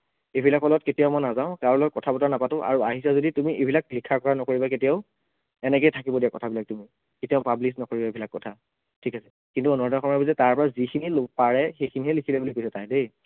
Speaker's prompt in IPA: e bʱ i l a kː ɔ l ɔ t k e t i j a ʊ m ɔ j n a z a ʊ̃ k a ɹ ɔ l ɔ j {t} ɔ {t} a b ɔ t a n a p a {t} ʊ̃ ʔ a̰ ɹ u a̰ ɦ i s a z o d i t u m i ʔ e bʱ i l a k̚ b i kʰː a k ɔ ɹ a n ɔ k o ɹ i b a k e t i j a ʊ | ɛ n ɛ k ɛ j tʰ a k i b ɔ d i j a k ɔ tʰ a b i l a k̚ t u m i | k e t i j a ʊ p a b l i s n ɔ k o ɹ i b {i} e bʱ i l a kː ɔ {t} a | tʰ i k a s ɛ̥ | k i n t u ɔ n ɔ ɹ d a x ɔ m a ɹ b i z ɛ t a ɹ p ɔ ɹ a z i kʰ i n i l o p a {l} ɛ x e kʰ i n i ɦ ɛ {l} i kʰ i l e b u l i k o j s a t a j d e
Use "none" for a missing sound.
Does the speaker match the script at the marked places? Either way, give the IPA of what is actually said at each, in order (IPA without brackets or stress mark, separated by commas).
k, tʰ, t, a, tʰ, ɹ, l